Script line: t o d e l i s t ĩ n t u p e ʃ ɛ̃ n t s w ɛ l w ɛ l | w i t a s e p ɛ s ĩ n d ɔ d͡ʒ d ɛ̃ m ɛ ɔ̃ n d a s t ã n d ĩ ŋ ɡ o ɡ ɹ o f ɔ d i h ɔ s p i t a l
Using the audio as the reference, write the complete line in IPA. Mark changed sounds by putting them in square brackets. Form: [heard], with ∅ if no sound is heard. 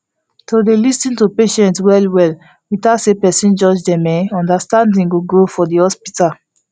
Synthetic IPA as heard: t o d e l i s t ĩ n t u p e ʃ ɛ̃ n t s w ɛ l w ɛ l | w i t a s e p ɛ s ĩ n [d͡ʒ] ɔ d͡ʒ d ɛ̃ m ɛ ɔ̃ n d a s t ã n d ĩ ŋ ɡ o ɡ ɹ o f ɔ d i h ɔ s p i t a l